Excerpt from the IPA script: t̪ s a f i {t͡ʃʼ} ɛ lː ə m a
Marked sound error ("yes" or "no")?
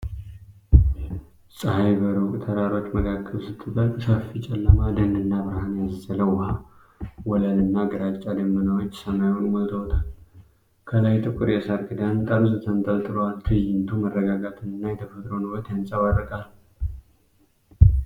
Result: no